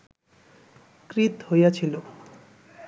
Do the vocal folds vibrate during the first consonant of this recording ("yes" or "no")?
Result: no